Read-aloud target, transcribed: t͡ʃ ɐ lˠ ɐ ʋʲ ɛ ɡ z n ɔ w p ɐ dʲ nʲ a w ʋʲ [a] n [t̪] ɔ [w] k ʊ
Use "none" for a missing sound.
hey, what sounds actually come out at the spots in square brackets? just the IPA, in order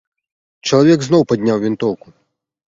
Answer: i, t̪, w

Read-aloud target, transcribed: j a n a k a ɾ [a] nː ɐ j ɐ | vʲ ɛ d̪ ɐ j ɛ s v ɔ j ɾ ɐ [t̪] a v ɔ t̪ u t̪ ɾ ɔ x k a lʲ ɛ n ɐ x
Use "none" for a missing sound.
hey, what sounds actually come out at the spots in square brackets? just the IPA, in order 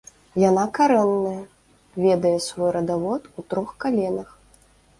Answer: ɛ, d̪

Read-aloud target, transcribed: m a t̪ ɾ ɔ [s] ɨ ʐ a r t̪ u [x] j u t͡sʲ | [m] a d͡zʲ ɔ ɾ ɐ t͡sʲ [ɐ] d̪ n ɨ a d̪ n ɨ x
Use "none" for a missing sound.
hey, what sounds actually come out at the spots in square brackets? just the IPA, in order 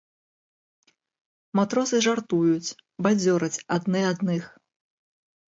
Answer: s, none, b, a

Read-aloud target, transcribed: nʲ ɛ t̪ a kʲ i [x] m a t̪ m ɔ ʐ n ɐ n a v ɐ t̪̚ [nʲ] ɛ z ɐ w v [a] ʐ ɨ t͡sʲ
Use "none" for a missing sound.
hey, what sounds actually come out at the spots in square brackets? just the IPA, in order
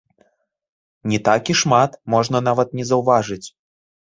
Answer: ʂ, nʲ, a

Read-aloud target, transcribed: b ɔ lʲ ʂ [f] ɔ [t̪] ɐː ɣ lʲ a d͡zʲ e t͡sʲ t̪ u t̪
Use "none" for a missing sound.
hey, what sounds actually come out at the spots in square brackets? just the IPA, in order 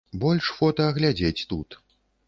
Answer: f, t̪

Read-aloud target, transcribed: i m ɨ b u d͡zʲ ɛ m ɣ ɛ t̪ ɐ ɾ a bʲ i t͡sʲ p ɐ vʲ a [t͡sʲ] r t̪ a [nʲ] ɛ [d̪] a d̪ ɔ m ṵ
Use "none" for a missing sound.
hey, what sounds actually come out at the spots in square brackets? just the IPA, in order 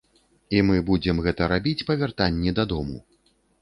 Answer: none, nʲː, d̪

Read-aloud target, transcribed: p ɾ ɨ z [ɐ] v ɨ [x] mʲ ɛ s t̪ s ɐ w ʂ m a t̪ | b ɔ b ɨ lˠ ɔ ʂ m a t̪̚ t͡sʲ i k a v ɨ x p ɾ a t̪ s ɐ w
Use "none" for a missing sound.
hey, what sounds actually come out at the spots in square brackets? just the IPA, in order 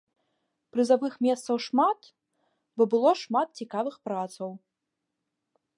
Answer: a, x

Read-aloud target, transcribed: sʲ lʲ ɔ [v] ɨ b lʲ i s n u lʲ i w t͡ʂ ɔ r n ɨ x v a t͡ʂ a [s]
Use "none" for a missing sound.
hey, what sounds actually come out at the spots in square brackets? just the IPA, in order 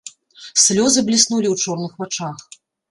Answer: z, x

